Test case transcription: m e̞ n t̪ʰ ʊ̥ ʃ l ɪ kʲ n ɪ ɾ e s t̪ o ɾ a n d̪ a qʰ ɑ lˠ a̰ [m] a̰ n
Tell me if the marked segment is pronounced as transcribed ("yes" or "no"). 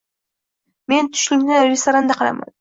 yes